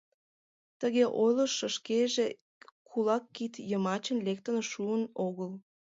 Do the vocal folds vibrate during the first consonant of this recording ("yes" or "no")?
no